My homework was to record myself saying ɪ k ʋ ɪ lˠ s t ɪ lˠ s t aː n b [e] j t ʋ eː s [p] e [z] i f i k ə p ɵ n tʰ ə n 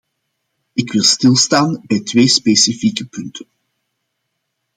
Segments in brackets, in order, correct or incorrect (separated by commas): incorrect, correct, incorrect